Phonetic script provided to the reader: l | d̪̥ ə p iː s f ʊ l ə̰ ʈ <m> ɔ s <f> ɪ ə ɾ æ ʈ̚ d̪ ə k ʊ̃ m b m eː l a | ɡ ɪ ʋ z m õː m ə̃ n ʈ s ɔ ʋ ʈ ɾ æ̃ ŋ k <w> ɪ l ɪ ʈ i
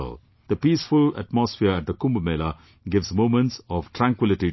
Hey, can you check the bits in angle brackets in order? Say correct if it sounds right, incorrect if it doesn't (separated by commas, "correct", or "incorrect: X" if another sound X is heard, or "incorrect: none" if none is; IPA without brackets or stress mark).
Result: correct, correct, correct